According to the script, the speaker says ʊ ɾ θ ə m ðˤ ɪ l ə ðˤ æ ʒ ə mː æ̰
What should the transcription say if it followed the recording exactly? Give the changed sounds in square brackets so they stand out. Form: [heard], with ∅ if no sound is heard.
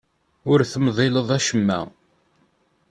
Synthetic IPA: ʊ ɾ θ ə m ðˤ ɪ l ə ðˤ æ [ʃ] ə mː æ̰